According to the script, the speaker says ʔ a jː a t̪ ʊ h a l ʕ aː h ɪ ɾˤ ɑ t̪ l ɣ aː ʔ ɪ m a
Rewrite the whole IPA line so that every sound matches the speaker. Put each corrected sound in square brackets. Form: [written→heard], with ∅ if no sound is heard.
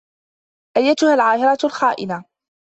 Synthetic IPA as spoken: ʔ a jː a t̪ ʊ h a l ʕ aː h ɪ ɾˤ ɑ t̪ l [ɣ→x] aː ʔ ɪ [m→n] a